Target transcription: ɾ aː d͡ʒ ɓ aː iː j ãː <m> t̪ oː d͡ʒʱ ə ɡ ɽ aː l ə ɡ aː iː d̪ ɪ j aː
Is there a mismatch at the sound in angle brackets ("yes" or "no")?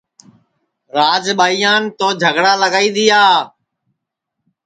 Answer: yes